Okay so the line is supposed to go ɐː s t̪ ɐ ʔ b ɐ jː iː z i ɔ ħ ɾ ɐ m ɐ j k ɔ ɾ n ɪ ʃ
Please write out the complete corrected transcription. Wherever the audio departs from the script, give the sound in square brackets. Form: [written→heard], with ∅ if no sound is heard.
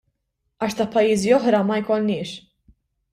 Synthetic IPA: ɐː [s→ʃ] t̪ ɐ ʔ [b→p] ɐ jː iː z i ɔ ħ ɾ ɐ m ɐ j k ɔ [ɾ→l] n [ɪ→ɪː] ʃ